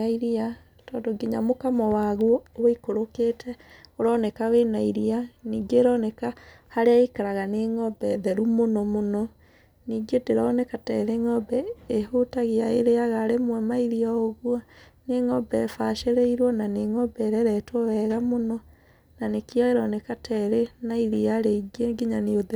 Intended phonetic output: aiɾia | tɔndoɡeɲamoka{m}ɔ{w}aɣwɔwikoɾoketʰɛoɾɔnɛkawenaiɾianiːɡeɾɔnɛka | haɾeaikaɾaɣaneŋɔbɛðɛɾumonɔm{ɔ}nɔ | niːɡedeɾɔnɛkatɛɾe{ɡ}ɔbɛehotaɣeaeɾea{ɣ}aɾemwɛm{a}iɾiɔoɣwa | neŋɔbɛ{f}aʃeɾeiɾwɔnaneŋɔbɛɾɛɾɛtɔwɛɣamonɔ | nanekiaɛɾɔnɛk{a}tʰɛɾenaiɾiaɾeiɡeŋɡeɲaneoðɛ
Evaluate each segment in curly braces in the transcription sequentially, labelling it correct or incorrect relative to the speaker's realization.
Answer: correct, correct, incorrect: o, incorrect: ŋ, correct, correct, correct, correct

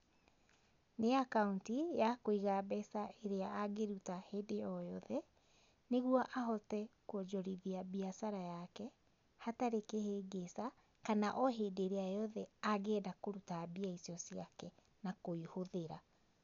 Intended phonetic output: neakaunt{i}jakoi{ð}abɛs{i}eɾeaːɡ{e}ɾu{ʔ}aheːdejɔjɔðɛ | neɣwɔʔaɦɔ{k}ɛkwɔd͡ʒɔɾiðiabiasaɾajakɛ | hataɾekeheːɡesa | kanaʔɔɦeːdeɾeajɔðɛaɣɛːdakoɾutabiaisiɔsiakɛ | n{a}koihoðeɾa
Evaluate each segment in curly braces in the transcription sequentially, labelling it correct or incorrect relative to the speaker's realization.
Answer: correct, incorrect: ɣ, incorrect: a, correct, incorrect: t, incorrect: t, correct

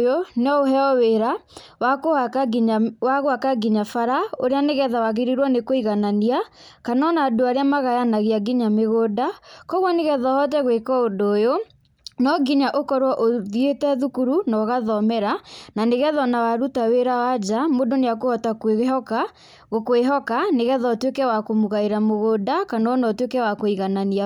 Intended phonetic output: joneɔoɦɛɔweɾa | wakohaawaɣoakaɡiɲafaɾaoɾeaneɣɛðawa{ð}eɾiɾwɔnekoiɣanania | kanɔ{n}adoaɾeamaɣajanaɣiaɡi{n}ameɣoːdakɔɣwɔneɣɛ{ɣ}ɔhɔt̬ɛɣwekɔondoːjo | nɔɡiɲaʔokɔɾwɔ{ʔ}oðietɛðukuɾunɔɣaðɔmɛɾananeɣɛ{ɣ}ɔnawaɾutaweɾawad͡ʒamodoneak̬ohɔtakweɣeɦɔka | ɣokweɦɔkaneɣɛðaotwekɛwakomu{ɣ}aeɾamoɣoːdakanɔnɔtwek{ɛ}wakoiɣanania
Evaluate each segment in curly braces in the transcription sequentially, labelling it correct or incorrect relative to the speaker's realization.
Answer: incorrect: ɣ, correct, incorrect: ɲ, incorrect: ð, correct, incorrect: ð, correct, correct

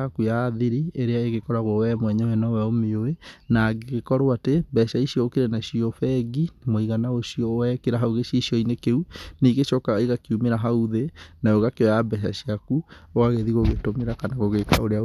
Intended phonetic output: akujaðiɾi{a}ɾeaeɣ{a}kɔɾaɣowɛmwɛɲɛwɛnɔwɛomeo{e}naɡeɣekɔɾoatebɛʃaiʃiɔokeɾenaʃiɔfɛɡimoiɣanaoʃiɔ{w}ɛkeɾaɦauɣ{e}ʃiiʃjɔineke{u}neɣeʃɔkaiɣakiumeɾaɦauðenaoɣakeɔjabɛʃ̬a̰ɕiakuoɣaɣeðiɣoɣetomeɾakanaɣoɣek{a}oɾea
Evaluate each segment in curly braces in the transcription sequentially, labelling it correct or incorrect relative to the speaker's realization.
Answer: incorrect: e, incorrect: e, correct, correct, correct, correct, correct

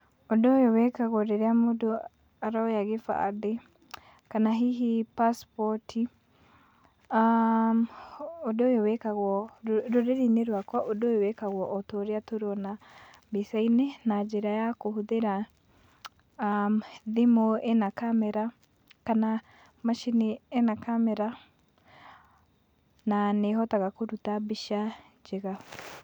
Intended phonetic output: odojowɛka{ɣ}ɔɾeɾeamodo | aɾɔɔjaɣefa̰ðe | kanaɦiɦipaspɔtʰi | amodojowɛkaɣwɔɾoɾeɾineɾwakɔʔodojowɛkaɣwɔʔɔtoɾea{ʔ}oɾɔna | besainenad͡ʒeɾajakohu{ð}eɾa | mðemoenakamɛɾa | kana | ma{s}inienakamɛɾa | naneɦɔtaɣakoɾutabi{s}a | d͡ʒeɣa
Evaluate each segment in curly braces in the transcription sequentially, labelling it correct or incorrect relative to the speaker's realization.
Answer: correct, incorrect: t, correct, incorrect: ʃ, incorrect: ʃ

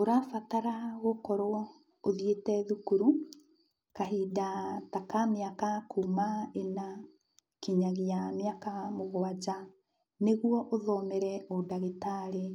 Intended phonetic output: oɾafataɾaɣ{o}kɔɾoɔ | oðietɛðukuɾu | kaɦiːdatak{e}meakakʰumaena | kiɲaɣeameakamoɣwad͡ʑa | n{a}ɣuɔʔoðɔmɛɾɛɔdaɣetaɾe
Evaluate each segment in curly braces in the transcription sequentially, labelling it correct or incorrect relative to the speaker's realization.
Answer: correct, incorrect: a, incorrect: e

